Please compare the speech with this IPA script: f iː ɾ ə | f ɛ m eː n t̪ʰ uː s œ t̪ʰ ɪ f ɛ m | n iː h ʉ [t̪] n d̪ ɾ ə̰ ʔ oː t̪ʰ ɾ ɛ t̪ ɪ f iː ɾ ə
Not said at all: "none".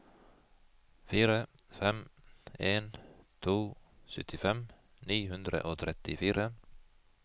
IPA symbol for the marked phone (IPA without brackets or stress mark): none